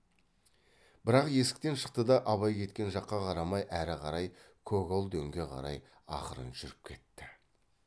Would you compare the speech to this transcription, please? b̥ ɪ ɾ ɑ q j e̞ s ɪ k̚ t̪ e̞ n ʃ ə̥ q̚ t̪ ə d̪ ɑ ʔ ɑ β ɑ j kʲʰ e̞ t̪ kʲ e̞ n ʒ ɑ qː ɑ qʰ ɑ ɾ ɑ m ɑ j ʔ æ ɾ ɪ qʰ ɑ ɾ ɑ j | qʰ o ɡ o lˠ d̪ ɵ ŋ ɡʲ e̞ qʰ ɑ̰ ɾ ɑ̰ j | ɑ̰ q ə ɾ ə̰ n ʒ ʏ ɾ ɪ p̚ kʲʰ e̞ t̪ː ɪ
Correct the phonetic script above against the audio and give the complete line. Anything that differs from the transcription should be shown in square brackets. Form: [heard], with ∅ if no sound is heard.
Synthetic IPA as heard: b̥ ɪ ɾ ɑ q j e̞ s ɪ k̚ t̪ e̞ n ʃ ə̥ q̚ t̪ ə d̪ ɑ ʔ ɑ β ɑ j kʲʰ e̞ t̪ kʲ e̞ n ʒ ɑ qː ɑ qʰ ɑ ɾ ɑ m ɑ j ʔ æ ɾ ɪ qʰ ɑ ɾ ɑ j | [kʰ] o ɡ o lˠ d̪ ɵ ŋ ɡʲ e̞ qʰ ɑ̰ ɾ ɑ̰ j | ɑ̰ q ə ɾ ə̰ n ʒ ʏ ɾ ɪ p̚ kʲʰ e̞ t̪ː ɪ